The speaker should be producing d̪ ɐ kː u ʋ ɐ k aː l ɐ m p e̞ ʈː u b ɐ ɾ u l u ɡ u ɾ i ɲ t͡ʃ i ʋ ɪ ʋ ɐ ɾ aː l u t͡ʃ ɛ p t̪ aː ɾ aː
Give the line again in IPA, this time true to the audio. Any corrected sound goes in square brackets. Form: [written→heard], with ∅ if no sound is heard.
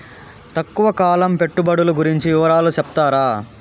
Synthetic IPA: [d̪→t̪] ɐ kː u ʋ ɐ k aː l ɐ m p e̞ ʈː u b ɐ [ɾ→ɽ] u l u ɡ u ɾ i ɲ t͡ʃ i ʋ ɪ ʋ ɐ ɾ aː l u t͡ʃ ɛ p t̪ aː ɾ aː